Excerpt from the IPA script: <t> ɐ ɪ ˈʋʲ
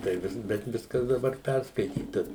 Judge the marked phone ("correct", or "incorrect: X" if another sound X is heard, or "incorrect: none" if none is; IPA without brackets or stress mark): correct